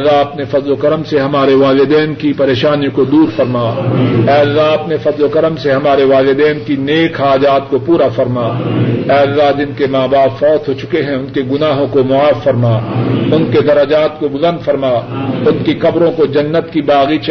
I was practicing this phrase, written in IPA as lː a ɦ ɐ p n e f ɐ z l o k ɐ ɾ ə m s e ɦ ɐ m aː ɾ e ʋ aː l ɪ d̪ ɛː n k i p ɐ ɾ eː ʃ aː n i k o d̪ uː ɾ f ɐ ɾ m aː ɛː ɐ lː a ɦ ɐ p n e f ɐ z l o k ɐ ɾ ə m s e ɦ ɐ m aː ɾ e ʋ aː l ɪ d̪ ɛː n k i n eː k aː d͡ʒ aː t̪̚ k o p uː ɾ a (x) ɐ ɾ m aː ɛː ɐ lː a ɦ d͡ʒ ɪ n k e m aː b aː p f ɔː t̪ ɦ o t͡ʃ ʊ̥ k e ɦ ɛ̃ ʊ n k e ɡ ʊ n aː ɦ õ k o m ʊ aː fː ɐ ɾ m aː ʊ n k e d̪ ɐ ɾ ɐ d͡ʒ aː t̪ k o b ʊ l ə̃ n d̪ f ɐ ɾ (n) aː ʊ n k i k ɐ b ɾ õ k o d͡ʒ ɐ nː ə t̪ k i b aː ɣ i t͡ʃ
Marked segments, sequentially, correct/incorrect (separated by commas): incorrect, incorrect